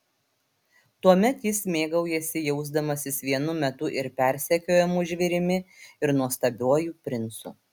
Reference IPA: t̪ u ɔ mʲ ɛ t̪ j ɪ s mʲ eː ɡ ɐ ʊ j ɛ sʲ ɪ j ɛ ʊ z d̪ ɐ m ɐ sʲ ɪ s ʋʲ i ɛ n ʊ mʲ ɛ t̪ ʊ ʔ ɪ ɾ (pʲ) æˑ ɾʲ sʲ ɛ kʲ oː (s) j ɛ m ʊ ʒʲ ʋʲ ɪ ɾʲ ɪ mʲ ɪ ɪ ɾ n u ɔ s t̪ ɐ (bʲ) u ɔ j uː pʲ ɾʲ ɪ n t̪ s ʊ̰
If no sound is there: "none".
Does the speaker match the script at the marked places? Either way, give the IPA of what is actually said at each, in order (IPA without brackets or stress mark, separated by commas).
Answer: pʲ, none, bʲ